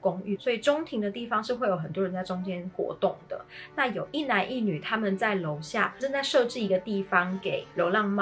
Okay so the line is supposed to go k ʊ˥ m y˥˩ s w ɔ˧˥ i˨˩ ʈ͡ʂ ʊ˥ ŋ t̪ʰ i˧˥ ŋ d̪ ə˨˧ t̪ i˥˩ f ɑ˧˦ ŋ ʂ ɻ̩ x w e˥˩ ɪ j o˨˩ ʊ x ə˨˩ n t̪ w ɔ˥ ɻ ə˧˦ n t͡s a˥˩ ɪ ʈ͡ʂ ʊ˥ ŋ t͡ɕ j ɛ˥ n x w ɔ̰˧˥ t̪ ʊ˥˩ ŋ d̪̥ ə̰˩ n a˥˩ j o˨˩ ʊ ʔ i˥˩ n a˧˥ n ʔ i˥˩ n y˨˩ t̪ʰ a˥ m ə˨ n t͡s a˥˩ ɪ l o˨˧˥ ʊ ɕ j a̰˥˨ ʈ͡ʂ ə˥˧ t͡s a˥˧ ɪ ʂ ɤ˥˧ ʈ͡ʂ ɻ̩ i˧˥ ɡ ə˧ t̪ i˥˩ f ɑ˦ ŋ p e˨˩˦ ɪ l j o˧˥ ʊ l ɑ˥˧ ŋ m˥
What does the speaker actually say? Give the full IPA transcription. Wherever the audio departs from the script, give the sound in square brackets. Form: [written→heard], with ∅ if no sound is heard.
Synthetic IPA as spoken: k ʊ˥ [m→ŋ] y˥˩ s w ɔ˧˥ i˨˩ ʈ͡ʂ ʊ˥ ŋ t̪ʰ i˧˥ ŋ d̪ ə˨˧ t̪ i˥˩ f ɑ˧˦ ŋ ʂ ɻ̩ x w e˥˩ ɪ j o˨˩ ʊ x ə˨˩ n t̪ w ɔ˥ ɻ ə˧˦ n t͡s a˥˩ ɪ ʈ͡ʂ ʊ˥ ŋ t͡ɕ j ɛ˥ n x w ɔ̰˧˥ t̪ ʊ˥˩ ŋ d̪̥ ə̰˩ n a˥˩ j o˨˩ ʊ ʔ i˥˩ n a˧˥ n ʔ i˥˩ n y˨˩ t̪ʰ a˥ m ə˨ n t͡s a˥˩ ɪ l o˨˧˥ ʊ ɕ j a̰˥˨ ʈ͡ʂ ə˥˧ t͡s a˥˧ ɪ ʂ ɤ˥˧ ʈ͡ʂ ɻ̩ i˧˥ ɡ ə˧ t̪ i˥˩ f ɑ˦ ŋ [p→k] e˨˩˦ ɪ l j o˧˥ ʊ l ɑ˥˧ ŋ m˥